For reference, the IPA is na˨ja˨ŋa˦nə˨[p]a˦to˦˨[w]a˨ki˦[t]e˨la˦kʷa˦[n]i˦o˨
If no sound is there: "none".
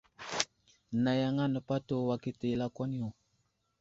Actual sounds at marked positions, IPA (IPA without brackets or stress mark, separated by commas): p, w, t, n